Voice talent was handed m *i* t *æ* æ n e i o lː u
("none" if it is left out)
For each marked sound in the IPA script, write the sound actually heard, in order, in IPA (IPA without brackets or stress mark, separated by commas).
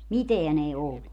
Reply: i, e